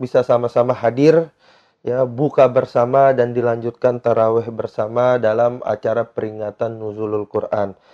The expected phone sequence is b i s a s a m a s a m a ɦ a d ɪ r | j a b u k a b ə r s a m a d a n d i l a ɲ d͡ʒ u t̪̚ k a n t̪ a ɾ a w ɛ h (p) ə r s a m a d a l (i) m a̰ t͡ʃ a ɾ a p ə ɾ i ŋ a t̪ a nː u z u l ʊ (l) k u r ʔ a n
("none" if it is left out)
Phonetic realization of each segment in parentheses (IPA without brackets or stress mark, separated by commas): b, a, l